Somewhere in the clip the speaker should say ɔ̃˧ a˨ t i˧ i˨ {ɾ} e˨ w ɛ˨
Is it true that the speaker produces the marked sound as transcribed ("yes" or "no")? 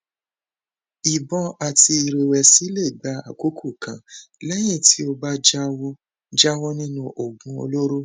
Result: yes